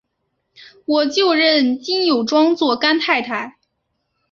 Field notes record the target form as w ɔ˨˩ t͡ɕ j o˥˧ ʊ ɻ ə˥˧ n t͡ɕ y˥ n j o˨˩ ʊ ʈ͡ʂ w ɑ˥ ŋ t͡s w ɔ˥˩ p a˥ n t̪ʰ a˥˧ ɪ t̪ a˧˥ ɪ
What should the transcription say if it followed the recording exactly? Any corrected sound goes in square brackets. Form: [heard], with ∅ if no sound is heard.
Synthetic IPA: w ɔ˨˩ t͡ɕ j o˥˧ ʊ ɻ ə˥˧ n t͡ɕ [i˥] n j o˨˩ ʊ ʈ͡ʂ w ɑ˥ ŋ t͡s w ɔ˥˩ [k] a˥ n t̪ʰ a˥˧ ɪ [t̪ʰ] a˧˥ ɪ